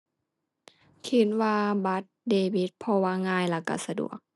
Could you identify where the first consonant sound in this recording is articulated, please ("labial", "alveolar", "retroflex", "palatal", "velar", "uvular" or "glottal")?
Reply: velar